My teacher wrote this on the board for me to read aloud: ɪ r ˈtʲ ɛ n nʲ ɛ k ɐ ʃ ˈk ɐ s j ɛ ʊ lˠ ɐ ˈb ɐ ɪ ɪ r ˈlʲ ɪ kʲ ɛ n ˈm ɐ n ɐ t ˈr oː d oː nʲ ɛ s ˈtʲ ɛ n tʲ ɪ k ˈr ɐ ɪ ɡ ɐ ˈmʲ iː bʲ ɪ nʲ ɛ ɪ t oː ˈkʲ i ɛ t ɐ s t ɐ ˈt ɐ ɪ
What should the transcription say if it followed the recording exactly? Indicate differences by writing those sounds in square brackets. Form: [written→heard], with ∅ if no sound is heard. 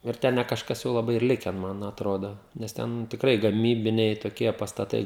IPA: ɪ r ˈtʲ ɛ n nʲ ɛ k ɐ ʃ ˈk ɐ s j ɛ ʊ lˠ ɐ ˈb ɐ ɪ ɪ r ˈlʲ ɪ kʲ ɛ n ˈm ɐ n ɐ t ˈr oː d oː nʲ ɛ s ˈtʲ ɛ n tʲ ɪ k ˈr ɐ ɪ ɡ ɐ ˈmʲ iː bʲ ɪ nʲ ɛ ɪ t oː ˈkʲ i ɛ [t→p] ɐ s t ɐ ˈt ɐ ɪ